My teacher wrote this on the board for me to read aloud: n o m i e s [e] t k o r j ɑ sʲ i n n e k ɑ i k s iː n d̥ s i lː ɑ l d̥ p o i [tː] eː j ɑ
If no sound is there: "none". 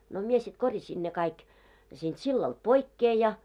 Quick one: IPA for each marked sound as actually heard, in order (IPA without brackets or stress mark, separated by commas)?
i, kː